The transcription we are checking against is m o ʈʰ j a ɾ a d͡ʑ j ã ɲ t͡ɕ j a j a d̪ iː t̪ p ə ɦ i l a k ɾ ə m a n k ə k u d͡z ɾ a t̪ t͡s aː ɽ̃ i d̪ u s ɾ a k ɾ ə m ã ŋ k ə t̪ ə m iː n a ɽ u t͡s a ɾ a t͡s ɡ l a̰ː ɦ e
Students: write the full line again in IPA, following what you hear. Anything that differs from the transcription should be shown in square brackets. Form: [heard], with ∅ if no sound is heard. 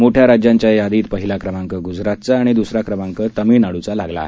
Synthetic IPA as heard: m o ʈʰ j a ɾ a d͡ʑ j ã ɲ t͡ɕ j a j a d̪ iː t̪ p ə ɦ i l a k ɾ ə m a [ŋ] k ə [ɡ] u d͡z ɾ a t̪ t͡s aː ɽ̃ i d̪ u s ɾ a k ɾ ə m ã ŋ k ə t̪ ə m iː n a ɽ u t͡s a [l] a [∅] ɡ l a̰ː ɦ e